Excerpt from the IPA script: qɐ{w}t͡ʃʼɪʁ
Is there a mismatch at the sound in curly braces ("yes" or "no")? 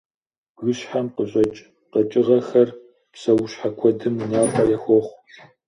yes